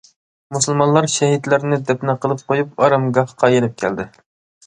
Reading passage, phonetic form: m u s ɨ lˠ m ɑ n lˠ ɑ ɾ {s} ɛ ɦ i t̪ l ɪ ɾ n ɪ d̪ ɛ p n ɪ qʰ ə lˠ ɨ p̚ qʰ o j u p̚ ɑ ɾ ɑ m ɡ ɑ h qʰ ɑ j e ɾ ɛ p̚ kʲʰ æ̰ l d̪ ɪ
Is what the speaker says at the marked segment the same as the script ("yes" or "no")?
no